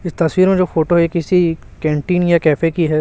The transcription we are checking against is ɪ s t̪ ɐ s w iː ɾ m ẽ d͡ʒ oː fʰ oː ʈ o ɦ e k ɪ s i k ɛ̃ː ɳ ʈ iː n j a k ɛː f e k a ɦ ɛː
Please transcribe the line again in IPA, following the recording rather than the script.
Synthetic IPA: ɪ s t̪ ɐ s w iː ɾ m ẽ d͡ʒ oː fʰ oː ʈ o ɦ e k ɪ s i k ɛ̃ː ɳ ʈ iː n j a k ɛː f e k i ɦ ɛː